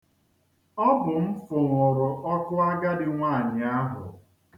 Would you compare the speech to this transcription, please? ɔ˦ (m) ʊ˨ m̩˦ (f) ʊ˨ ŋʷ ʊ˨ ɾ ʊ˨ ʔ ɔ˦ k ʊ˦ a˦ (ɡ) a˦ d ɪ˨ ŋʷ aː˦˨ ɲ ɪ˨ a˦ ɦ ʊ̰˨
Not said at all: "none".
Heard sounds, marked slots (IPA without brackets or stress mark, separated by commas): b, f, ɡ